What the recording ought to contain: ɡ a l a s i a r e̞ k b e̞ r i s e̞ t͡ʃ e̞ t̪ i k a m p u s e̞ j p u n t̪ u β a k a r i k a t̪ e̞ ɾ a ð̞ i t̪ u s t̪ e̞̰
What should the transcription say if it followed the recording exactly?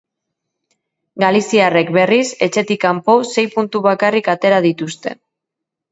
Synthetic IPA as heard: ɡ a l i s i a r e̞ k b e̞ r i s e̞ t͡ʃ e̞ t̪ i k a m p o s e̞ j p u n t̪ u β a k a r i k a t̪ e̞ ɾ a ð̞ i t̪ u s t̪ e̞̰